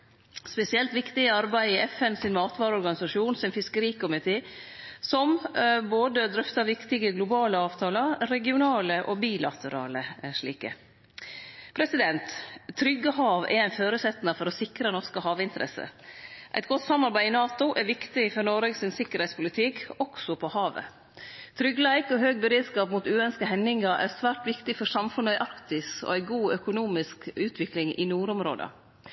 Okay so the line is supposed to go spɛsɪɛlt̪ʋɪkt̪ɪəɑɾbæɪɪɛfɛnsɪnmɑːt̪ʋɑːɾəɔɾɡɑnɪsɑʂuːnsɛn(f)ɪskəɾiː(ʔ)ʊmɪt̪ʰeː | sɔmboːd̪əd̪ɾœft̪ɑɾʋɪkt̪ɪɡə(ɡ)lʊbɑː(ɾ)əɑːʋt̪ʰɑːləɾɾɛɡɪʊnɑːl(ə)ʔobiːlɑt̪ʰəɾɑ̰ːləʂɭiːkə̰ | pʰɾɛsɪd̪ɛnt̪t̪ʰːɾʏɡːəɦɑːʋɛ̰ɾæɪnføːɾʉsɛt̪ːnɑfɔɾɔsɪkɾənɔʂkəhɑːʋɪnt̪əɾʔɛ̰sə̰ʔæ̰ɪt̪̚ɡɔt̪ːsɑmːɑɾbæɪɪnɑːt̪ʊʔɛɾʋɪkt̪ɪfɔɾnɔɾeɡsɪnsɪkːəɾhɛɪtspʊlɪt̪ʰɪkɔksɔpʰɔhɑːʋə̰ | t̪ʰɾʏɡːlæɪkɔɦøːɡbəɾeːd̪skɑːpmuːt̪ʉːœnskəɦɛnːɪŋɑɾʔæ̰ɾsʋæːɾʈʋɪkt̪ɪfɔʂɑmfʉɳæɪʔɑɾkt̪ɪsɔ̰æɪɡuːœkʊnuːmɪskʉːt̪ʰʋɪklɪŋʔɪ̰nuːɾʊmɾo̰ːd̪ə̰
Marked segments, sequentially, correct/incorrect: correct, incorrect, correct, incorrect, correct

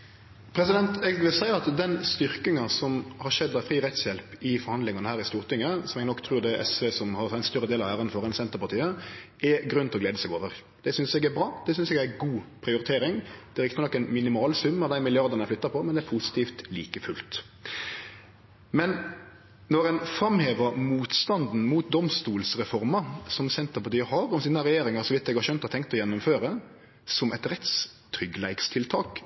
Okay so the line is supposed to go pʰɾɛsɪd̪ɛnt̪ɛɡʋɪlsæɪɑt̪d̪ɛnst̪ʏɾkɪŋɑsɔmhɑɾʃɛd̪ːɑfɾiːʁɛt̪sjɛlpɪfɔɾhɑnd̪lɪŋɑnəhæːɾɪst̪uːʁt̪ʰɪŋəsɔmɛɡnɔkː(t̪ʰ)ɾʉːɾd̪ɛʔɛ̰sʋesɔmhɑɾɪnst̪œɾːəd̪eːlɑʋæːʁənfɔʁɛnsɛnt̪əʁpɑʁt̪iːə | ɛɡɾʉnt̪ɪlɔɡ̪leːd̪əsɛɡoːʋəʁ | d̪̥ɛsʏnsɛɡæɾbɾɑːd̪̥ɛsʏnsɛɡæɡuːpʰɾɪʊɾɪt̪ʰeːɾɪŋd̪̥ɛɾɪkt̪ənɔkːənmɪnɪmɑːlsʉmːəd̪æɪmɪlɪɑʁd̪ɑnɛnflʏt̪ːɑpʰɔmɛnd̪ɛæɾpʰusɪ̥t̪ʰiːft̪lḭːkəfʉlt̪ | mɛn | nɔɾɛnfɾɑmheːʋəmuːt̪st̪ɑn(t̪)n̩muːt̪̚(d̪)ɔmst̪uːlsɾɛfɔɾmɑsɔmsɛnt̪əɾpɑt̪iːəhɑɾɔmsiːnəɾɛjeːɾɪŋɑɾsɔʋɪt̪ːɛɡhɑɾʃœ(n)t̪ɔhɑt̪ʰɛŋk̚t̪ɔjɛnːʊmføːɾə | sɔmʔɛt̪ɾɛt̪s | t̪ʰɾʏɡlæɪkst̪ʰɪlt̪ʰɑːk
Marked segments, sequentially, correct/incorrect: correct, incorrect, correct, correct

